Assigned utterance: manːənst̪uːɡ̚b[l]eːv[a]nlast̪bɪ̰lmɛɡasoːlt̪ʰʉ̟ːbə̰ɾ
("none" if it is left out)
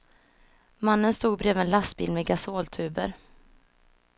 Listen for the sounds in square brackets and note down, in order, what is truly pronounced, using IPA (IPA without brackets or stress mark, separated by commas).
ɾ, ɛ